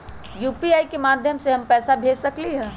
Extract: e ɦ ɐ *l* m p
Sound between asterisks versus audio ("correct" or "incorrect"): incorrect